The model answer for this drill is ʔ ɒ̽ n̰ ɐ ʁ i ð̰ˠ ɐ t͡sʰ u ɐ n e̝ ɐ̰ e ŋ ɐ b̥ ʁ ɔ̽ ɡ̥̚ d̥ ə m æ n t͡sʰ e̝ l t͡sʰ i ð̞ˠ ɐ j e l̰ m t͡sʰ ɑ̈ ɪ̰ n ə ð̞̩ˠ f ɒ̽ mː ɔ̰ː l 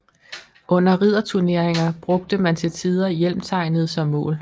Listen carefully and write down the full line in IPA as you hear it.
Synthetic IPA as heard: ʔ ɔ̽ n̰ ɐ ʁ i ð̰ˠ ɐ t͡sʰ u ɐ n e̝ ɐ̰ e ŋ ɐ b̥ ʁ ɔ̽ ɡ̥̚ d̥ ə m æ n t͡sʰ e̝ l t͡sʰ i ð̞ˠ ɐ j e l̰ m t͡sʰ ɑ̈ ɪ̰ n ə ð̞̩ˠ s ɒ̽ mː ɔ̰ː l